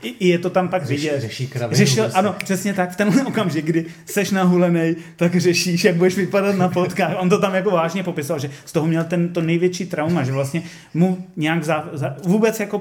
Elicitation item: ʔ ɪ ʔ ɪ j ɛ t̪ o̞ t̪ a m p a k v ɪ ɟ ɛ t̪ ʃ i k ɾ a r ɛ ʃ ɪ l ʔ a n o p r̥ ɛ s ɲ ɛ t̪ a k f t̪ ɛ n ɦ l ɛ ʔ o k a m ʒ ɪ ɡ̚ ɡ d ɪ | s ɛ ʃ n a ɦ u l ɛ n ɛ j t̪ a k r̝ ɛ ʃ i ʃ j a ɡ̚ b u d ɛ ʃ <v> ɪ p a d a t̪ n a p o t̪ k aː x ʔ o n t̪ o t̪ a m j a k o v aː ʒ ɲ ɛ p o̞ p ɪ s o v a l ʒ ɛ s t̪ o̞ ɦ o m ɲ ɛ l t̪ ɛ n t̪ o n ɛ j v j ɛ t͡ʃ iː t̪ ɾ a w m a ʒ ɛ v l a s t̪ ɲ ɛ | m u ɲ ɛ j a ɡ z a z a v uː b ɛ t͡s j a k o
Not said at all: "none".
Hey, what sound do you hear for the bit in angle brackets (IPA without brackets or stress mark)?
v